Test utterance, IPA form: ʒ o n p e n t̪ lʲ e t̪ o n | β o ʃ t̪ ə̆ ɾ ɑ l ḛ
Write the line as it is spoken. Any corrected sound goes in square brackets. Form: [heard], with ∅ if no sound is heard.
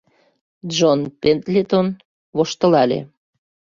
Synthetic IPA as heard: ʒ o n p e n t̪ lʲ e t̪ o n | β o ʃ t̪ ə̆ [l] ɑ l ḛ